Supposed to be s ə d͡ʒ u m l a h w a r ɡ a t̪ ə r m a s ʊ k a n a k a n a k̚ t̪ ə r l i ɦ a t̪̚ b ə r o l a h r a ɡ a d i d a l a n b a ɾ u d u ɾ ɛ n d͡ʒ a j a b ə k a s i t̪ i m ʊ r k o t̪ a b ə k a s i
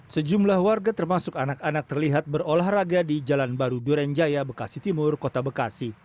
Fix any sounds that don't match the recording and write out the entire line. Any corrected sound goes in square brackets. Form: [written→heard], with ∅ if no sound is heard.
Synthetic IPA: s ə d͡ʒ u m l a h w a r ɡ a t̪ ə r m a s ʊ k a n a k a n a k̚ t̪ ə r l i ɦ a t̪̚ b ə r o l a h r a ɡ a d i [d→d͡ʒ] a l a n b a ɾ u d u ɾ ɛ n d͡ʒ a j a b ə k a s i t̪ i m ʊ r k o t̪ a b ə k a s i